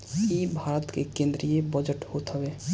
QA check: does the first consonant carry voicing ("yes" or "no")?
yes